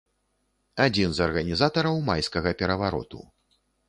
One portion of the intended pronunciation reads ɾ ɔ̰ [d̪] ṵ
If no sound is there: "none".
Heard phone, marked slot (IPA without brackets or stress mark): t̪